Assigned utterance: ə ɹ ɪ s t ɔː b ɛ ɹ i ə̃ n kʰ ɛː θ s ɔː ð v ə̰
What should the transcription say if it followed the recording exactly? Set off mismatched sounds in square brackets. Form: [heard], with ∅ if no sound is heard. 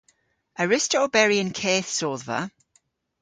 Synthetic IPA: ə ɹ ɪ s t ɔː b ɛ ɹ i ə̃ n kʰ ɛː θ s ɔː ð v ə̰